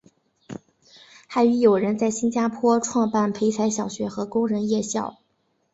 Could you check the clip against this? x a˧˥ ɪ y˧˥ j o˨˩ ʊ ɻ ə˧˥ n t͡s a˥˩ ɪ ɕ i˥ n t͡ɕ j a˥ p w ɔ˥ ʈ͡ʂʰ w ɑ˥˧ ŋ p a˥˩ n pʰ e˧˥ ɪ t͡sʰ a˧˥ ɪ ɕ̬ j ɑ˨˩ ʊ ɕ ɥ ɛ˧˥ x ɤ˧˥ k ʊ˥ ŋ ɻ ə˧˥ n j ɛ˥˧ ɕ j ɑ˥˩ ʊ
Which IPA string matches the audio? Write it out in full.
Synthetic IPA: x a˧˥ ɪ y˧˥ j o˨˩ ʊ ɻ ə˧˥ n t͡s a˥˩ ɪ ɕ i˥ n t͡ɕ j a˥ pʰ w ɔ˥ ʈ͡ʂʰ w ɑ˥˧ ŋ p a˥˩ n pʰ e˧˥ ɪ t͡sʰ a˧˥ ɪ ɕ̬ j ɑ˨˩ ʊ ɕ ɥ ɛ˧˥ x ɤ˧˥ k ʊ˥ ŋ ɻ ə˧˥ n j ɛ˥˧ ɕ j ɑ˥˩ ʊ

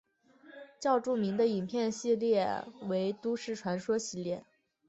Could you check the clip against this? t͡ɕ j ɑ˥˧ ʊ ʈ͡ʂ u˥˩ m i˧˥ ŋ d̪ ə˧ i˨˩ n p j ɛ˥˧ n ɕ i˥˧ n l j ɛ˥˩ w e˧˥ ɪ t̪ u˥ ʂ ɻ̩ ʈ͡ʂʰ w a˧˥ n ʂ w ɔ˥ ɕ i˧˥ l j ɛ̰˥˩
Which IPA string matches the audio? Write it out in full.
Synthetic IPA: t͡ɕ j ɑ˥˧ ʊ ʈ͡ʂ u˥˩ m i˧˥ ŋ d̪ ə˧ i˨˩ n pʰ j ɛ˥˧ n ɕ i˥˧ l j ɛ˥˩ w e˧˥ ɪ t̪ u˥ ʂ ɻ̩ ʈ͡ʂʰ w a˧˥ n ʂ w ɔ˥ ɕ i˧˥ l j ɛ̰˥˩

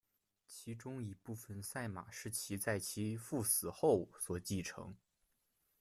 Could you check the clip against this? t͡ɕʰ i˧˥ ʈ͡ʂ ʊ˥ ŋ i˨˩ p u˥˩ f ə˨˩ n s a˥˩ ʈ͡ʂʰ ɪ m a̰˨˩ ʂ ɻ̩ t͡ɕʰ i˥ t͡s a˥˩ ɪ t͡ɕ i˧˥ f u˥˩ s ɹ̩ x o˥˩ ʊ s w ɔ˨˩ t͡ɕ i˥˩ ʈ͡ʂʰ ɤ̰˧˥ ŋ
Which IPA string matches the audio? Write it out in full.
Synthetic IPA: t͡ɕʰ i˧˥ ʈ͡ʂ ʊ˥ ŋ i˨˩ p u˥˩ f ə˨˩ n s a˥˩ ɪ m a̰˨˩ ʂ ɻ̩ t͡ɕʰ i˧˥ t͡s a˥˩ ɪ t͡ɕʰ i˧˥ f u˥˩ s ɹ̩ x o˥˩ ʊ s w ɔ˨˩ t͡ɕ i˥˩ ʈ͡ʂʰ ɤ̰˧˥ ŋ

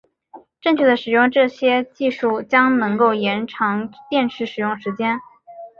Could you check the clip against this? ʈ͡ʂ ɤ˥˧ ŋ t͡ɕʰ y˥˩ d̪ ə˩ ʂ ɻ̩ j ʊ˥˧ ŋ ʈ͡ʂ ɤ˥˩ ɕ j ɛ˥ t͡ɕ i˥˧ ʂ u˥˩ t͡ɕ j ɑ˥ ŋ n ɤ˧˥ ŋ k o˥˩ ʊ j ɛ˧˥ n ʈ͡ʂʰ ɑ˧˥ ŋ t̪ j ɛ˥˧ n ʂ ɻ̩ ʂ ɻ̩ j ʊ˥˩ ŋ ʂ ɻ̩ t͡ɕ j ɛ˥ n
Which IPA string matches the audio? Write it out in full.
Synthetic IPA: ʈ͡ʂ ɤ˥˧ ŋ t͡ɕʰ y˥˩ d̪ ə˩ ʂ ɻ̩ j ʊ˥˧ ŋ ʈ͡ʂ ɤ˥˩ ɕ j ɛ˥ t͡ɕ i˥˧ ʂ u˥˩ t͡ɕ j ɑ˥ ŋ n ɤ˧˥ ŋ k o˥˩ ʊ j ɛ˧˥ n ʈ͡ʂʰ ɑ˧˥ ŋ t̪ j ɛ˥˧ n ʂ ɻ̩ ʂ ɻ̩ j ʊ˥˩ ŋ ʂ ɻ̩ t͡ɕ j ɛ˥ n

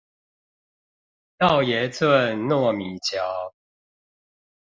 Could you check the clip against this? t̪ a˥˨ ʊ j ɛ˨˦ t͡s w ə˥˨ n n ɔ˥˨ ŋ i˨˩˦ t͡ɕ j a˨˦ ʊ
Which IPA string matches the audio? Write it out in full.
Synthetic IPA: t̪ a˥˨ ʊ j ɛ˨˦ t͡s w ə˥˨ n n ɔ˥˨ m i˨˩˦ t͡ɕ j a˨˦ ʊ

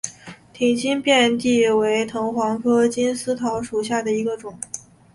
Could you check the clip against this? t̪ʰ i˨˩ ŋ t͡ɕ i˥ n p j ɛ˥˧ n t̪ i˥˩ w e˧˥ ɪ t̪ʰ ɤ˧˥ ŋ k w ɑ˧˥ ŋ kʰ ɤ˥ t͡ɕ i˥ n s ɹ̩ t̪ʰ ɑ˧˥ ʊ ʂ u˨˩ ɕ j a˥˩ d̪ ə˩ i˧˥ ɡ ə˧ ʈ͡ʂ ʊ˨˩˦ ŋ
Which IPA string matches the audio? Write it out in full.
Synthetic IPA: t̪ʰ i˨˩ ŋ t͡ɕ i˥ n p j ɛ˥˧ n t̪ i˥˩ w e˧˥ ɪ t̪ʰ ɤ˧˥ ŋ x w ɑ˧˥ ŋ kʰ ɤ˥ t͡ɕ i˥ n s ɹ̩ t̪ʰ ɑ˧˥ ʊ ʂ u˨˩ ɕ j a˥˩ d̪ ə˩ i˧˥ ɡ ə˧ ʈ͡ʂ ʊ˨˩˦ ŋ

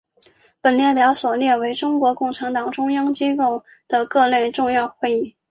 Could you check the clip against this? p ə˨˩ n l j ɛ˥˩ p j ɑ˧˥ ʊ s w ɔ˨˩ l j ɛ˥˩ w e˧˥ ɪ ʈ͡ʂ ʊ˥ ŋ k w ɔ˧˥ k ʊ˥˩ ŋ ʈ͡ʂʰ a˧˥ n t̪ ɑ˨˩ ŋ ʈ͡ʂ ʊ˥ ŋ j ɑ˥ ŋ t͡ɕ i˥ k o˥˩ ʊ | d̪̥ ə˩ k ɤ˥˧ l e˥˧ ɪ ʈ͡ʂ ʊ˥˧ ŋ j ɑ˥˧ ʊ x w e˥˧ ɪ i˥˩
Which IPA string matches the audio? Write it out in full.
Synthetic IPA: p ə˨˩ n l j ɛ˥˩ p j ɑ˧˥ ʊ s w ɔ˨˩ l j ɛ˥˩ w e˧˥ ɪ ʈ͡ʂ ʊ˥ ŋ k w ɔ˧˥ k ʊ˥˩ ŋ ʈ͡ʂʰ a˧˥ n t̪ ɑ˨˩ ŋ ʈ͡ʂ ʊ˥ ŋ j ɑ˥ ŋ t͡ɕ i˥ k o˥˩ ʊ | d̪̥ ə˩ k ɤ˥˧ l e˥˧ ɪ ʈ͡ʂ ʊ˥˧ ŋ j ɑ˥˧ ʊ x w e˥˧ ɪ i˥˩

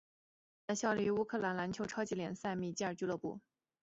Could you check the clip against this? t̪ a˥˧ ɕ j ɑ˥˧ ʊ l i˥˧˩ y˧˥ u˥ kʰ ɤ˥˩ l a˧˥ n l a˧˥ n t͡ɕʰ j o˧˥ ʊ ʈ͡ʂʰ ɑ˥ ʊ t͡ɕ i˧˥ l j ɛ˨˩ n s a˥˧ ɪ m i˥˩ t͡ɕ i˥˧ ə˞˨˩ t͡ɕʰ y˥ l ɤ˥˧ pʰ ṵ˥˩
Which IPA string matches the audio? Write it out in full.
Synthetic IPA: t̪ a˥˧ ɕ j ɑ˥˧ ʊ l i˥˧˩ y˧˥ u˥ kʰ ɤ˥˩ l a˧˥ n l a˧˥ n t͡ɕʰ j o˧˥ ʊ ʈ͡ʂʰ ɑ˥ ʊ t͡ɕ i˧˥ l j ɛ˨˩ n s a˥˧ ɪ m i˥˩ t͡ɕ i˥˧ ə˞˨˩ t͡ɕ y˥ l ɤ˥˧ p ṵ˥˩

